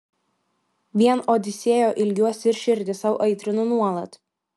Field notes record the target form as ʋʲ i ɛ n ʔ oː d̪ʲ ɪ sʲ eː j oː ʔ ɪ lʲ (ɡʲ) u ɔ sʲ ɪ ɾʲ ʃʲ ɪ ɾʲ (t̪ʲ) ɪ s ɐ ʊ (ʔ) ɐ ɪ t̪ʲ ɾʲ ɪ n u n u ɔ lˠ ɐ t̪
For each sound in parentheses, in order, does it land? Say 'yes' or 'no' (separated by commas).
yes, no, yes